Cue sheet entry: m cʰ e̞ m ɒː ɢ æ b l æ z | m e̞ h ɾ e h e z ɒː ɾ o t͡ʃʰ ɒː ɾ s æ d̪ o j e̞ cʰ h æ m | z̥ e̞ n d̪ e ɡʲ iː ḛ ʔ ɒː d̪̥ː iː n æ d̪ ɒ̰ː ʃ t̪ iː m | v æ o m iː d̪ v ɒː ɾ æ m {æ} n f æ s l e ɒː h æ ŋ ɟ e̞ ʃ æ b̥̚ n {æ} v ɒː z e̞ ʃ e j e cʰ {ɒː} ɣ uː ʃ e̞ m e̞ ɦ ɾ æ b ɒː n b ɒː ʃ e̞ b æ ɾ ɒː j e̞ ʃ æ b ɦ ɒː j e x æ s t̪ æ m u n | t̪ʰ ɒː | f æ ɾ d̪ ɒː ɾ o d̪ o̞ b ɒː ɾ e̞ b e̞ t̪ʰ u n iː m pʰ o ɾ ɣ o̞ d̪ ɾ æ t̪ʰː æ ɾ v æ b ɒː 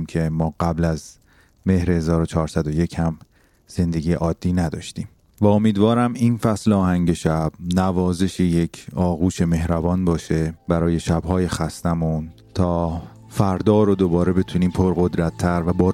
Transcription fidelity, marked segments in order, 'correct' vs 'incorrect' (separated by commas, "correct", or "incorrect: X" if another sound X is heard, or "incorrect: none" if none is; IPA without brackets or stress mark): incorrect: i, correct, correct